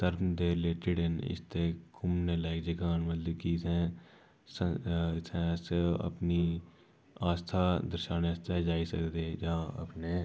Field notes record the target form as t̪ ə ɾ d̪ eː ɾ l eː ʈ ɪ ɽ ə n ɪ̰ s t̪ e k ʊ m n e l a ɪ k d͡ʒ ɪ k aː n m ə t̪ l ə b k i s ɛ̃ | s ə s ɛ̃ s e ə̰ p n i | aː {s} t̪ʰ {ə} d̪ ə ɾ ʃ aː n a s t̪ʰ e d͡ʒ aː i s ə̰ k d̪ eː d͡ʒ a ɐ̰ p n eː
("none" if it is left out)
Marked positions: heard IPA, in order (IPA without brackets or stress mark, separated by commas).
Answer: s, a